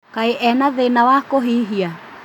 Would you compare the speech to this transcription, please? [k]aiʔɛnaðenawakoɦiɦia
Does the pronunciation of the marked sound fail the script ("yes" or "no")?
no